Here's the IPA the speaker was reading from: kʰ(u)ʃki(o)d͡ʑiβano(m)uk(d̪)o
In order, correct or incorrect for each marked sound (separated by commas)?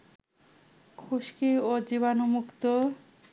correct, correct, correct, incorrect